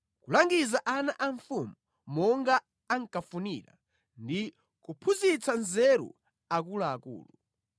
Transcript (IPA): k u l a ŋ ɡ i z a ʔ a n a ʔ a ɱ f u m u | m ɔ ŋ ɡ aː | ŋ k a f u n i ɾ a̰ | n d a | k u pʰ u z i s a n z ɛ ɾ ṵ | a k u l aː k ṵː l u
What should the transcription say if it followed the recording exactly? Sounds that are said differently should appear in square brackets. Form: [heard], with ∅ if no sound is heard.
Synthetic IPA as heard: k u l a ŋ ɡ i z a ʔ a n a ʔ a ɱ f u m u | m ɔ ŋ ɡ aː | ŋ k a f u n i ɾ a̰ | n d [i] | k u pʰ u z i [t͡s] a n z ɛ ɾ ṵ | a k u l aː k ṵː l u